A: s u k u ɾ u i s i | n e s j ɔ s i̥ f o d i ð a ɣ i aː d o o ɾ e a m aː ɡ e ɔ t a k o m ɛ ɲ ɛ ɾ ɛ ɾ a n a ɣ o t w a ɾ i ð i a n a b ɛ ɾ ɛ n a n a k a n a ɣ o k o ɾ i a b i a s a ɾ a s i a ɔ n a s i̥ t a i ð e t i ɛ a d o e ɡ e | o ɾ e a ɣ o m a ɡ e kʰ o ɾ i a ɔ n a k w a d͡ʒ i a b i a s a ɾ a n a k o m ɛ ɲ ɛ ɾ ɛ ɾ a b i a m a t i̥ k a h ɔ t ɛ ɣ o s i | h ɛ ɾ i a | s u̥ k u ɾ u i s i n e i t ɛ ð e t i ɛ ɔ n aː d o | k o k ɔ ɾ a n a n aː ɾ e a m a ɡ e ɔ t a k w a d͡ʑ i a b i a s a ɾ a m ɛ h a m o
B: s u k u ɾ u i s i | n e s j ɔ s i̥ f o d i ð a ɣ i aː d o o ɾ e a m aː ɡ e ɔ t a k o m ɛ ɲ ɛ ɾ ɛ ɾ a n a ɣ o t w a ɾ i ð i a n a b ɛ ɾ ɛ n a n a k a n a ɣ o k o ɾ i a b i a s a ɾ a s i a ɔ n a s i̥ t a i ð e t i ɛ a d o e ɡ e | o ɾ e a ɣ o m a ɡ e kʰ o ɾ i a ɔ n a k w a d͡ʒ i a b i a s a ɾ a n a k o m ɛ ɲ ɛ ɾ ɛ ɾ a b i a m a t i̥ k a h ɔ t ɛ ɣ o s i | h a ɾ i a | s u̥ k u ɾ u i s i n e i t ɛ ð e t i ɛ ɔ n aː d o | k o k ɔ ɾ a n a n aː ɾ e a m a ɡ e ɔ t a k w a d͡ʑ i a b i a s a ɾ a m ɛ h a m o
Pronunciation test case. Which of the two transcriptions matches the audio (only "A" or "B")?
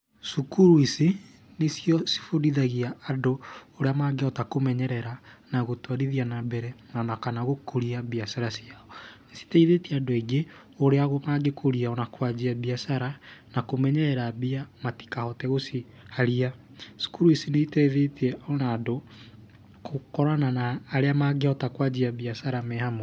B